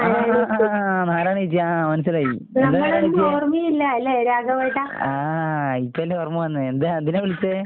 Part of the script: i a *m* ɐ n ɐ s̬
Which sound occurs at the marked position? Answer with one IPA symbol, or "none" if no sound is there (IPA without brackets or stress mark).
m